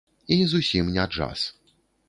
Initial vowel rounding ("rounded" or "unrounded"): unrounded